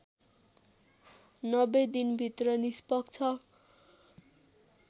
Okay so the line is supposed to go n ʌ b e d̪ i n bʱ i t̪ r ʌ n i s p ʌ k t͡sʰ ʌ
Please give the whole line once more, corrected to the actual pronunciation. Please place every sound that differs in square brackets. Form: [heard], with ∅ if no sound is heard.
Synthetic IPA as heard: n ʌ b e d̪ i n bʱ i t̪ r ʌ n i s p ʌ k t͡sʰ ʌ